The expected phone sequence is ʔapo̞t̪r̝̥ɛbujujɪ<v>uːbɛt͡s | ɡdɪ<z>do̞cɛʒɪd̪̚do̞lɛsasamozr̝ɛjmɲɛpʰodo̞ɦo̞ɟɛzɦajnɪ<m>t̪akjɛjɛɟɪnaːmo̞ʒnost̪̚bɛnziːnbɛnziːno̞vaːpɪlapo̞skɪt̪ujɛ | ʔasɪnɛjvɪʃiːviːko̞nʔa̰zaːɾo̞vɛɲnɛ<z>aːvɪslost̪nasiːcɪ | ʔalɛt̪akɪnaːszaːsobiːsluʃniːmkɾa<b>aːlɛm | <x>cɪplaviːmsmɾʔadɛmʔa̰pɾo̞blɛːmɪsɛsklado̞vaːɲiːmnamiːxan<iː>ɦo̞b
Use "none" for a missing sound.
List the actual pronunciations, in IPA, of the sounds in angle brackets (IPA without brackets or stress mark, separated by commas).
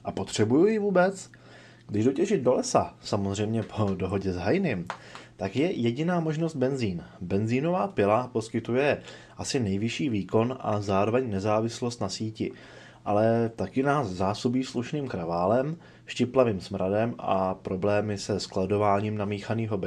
v, ʒ, m, z, v, ʃ, iː